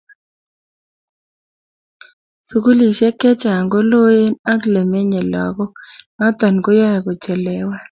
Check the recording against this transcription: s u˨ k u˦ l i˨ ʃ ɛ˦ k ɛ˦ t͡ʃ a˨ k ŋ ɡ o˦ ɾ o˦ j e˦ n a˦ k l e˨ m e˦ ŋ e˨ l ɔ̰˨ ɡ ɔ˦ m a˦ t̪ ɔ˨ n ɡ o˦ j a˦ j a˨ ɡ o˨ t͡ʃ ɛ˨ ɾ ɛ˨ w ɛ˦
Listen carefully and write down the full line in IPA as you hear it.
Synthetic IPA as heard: s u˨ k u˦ l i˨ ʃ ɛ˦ k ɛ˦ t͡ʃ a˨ ŋ ɡ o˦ l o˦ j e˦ n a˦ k l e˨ m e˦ ɲ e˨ l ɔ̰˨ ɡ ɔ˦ m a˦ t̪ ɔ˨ n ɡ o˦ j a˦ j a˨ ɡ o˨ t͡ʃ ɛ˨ l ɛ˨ w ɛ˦